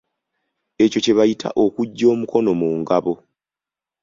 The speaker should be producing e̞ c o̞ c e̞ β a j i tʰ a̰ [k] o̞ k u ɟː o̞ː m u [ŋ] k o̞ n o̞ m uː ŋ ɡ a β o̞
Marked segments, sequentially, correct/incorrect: incorrect, incorrect

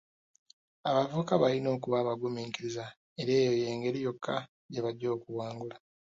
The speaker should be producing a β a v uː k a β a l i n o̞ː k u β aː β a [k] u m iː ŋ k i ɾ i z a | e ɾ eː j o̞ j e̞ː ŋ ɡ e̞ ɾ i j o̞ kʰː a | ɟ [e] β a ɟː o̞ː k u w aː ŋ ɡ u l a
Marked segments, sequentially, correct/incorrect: incorrect, correct

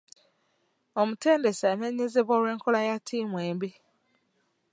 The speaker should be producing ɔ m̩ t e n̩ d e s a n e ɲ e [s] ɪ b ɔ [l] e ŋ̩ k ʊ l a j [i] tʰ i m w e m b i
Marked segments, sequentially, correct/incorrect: incorrect, incorrect, incorrect

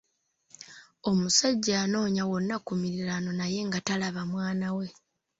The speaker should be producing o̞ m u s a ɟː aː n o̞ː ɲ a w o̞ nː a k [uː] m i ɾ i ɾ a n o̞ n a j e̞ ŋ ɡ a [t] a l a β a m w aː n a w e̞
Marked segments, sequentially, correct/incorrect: incorrect, correct

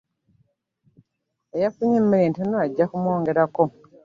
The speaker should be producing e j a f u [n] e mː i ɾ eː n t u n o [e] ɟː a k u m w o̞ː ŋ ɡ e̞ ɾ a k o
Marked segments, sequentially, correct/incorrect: incorrect, incorrect

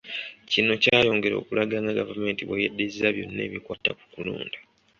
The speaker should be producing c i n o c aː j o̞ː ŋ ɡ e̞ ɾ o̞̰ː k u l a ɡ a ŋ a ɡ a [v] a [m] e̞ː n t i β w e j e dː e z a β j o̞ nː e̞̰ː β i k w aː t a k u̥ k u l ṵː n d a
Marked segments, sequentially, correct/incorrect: correct, correct

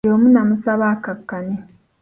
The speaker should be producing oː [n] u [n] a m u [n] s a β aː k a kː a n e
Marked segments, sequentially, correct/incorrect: incorrect, correct, incorrect

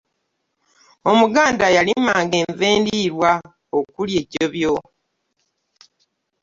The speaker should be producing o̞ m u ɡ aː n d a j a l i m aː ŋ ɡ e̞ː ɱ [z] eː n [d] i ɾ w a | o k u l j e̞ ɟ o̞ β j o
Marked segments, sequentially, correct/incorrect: incorrect, correct

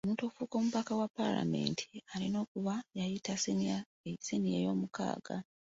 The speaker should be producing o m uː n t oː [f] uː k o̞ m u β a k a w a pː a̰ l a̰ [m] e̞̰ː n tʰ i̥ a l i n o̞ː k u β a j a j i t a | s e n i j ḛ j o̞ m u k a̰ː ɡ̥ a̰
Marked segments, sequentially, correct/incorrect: correct, correct

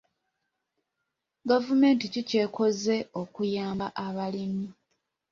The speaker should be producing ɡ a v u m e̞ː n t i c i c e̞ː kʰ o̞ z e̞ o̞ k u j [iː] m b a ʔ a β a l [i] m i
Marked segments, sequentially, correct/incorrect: incorrect, correct

